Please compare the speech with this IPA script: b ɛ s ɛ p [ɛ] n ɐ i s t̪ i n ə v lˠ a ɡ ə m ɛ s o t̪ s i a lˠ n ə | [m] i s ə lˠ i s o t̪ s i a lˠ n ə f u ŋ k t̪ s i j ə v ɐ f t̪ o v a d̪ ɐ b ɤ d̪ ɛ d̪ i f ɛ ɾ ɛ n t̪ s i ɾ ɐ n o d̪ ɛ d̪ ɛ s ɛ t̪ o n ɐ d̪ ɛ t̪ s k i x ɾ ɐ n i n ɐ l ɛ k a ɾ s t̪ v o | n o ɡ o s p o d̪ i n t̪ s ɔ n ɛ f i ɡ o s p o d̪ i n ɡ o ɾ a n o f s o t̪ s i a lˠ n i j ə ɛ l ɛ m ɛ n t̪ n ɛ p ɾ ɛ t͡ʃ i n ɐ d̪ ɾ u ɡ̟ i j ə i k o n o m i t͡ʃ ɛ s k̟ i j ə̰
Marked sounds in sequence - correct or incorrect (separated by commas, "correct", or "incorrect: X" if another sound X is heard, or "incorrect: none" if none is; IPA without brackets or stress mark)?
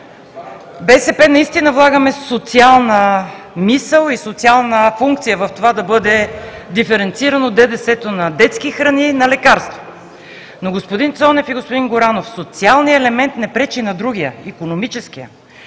correct, correct